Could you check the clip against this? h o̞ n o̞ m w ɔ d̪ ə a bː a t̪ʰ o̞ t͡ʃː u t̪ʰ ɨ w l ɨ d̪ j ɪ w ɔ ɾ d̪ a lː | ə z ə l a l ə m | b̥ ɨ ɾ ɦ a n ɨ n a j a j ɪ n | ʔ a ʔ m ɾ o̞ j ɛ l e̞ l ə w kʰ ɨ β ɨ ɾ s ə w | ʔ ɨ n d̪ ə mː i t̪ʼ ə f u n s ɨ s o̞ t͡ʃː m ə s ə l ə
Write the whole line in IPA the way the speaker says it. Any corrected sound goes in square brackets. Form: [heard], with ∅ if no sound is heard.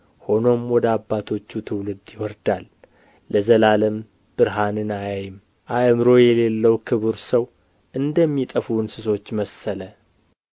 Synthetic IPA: h o̞ n o̞ m w ɔ d̪ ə a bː a t̪ʰ o̞ t͡ʃː u t̪ʰ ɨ w l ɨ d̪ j ɪ w ɔ ɾ d̪ a lː | ə z ə l a l ə m | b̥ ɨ ɾ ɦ a n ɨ n a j a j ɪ [m] | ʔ a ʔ m ɾ o̞ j ɛ l e̞ [lː] ə w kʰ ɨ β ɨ ɾ s ə w | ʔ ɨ n d̪ ə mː i t̪ʼ ə f u n s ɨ s o̞ t͡ʃː m ə s ə l ə